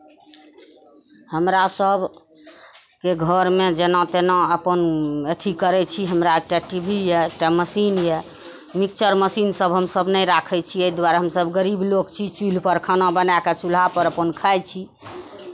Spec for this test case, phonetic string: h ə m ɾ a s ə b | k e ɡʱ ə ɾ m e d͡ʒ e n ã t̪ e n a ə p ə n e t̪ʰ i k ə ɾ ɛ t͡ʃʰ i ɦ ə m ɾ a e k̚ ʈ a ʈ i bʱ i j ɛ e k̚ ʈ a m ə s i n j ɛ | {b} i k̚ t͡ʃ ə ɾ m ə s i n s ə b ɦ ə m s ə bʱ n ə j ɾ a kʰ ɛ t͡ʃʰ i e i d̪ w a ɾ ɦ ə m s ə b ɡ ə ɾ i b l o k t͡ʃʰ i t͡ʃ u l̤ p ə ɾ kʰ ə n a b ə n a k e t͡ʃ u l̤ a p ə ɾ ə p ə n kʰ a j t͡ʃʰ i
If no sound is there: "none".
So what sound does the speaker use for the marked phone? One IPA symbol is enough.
m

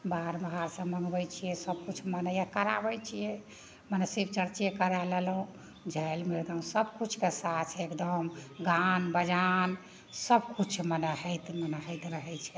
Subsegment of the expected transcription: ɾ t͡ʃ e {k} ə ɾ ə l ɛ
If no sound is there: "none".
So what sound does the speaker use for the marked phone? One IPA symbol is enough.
k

